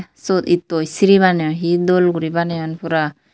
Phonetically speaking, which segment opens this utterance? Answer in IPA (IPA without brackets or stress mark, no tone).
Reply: s